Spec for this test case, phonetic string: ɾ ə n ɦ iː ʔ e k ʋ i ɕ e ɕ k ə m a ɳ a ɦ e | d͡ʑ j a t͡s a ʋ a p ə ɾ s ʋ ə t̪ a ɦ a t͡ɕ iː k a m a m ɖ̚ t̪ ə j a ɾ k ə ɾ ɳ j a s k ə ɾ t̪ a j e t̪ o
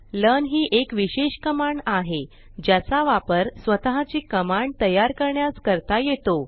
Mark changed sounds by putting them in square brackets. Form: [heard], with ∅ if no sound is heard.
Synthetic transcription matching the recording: [l] ə n ɦ iː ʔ e k ʋ i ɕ e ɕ k ə m a ɳ a ɦ e | d͡ʑ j a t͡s a ʋ a p ə ɾ s ʋ ə t̪ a ɦ a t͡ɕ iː k [ə] m a [ɳ] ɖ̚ t̪ ə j a ɾ k ə ɾ ɳ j a s k ə ɾ t̪ a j e t̪ o